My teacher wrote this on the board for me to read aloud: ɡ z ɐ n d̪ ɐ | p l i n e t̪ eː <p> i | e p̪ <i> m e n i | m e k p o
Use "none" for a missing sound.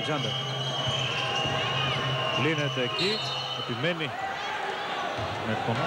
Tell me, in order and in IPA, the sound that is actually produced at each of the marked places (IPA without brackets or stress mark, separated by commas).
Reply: c, i